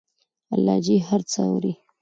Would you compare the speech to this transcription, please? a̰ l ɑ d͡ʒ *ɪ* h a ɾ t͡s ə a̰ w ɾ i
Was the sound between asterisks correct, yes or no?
no